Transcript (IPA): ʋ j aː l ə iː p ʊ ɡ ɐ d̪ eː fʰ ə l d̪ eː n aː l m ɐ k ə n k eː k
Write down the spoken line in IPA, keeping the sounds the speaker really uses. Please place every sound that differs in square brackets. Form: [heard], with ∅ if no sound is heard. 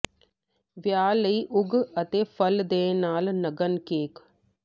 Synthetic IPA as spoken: ʋ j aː l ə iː [ʔ] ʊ ɡ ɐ [t̪] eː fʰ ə l d̪ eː n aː l [n] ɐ [ɡ] ə n k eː k